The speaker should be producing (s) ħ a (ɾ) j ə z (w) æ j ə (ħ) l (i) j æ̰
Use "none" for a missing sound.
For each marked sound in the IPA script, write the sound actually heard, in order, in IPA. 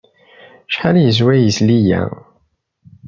ʃ, l, w, s, i

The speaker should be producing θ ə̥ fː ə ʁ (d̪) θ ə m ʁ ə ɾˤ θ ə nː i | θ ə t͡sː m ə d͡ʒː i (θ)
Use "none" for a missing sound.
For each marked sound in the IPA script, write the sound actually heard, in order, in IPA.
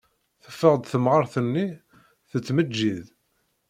d̪, ð

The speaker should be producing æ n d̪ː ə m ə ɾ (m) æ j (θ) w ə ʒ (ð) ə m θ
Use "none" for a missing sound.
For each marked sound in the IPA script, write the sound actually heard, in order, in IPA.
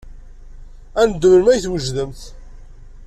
m, θ, ð

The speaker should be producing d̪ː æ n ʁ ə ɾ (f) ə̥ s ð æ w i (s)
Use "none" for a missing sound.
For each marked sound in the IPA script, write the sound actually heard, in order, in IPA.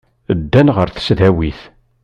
θ, θ

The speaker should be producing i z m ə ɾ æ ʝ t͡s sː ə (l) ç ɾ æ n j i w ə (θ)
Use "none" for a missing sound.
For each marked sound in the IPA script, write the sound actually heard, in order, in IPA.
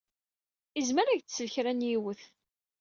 l, θ

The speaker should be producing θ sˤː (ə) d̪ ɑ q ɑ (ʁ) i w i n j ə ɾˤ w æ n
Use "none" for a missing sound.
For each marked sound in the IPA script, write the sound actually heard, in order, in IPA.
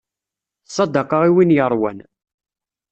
ɑ, ʁ

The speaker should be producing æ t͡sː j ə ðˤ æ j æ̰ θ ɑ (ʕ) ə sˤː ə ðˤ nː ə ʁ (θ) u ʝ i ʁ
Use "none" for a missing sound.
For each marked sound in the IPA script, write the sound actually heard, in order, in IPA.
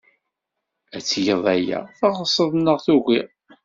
ʁ, θ

